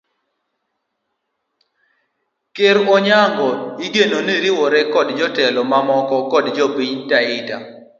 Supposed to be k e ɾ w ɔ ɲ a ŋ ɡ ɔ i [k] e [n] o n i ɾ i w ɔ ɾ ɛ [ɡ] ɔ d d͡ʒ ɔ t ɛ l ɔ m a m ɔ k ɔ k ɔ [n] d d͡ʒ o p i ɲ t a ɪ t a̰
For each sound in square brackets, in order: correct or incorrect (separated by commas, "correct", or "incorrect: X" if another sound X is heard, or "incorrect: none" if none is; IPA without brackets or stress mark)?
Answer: incorrect: ɡ, correct, incorrect: k, incorrect: none